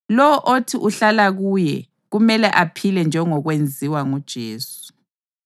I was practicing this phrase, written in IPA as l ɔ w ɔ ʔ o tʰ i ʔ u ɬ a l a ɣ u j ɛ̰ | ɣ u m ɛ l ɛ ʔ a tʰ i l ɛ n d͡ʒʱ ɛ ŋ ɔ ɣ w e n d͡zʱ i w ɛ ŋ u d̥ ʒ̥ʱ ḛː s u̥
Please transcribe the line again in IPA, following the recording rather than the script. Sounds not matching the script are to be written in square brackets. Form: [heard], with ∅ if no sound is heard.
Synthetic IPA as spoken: l ɔ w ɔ ʔ o tʰ i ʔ u ɬ a l a ɣ u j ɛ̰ | ɣ u m ɛ l ɛ ʔ a [pʰ] i l ɛ n d͡ʒʱ ɛ ŋ ɔ ɣ w e n d͡zʱ i w [a] ŋ u d̥ ʒ̥ʱ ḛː s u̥